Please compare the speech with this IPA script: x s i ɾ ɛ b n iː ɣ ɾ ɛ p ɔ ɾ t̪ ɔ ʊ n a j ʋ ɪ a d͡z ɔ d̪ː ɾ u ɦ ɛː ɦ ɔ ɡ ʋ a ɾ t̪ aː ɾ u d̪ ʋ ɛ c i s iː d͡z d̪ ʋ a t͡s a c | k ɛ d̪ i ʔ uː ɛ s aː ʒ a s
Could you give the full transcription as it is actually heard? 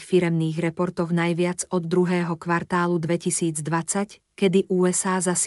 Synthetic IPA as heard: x f i ɾ ɛ m n iː ɣ ɾ ɛ p ɔ ɾ t̪ ɔ ʊ n a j ʋ ɪ a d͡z ɔ d̪ː ɾ u ɦ ɛː ɦ ɔ k ʋ a ɾ t̪ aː l u d̪ ʋ ɛ c i s iː d͡z d̪ ʋ a t͡s a c | k ɛ d̪ i ʔ uː ɛ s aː z a s